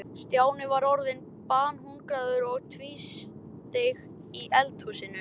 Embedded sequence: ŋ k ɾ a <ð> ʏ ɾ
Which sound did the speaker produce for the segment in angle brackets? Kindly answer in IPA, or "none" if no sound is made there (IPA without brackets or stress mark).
ð